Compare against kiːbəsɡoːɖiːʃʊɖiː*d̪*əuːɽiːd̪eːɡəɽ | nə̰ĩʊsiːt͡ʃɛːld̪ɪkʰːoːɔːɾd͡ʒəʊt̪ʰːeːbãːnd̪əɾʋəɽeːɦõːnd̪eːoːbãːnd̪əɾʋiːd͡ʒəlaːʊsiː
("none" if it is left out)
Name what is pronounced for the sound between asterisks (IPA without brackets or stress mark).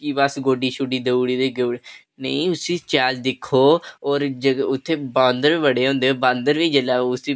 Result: d̪